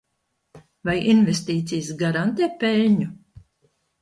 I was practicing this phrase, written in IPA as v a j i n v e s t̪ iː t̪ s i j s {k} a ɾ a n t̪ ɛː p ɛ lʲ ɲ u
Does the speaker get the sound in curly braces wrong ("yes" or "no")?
yes